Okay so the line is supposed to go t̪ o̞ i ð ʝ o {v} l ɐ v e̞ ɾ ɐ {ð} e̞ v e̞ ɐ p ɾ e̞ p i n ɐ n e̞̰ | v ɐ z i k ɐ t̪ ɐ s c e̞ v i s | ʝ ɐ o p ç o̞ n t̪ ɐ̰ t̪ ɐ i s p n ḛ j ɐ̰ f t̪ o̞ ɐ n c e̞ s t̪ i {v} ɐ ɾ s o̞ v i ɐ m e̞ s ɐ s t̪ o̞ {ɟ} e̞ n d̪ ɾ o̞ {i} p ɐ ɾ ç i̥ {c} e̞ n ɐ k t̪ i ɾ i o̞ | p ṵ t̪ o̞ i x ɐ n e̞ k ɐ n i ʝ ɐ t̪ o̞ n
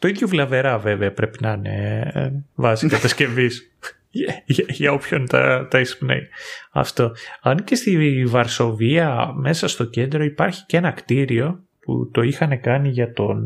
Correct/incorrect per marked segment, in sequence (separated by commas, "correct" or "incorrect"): correct, incorrect, correct, incorrect, correct, correct